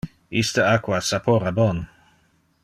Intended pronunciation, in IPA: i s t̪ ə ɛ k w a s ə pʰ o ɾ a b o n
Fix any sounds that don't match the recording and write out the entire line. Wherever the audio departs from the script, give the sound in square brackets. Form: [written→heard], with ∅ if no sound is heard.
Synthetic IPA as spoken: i s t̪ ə [ɛ→a] k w a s [ə→a] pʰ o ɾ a b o n